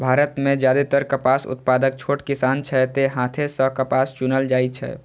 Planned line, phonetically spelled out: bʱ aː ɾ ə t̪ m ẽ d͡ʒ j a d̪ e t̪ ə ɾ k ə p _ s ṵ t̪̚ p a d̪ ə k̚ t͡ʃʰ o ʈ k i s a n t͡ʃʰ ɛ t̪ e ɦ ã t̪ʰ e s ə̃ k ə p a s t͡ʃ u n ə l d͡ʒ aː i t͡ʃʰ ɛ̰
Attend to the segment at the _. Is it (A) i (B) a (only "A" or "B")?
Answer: B